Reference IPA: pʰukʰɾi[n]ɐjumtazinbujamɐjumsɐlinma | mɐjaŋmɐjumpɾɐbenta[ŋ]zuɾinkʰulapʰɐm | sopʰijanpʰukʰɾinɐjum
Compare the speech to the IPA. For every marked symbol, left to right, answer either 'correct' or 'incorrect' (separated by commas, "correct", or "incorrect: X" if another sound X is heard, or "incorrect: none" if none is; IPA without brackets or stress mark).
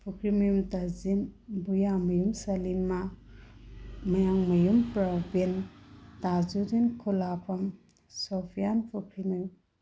incorrect: m, incorrect: none